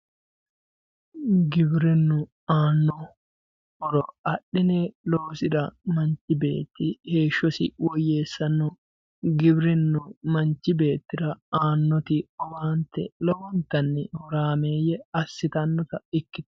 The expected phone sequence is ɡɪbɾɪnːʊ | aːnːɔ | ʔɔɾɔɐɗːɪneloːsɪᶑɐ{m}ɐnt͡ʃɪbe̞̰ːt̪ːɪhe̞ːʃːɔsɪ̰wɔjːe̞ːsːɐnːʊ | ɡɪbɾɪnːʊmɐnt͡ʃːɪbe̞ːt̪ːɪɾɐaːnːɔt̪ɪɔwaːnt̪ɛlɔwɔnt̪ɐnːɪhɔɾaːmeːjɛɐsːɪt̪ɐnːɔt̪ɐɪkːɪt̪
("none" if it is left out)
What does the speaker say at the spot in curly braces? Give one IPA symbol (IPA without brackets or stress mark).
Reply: m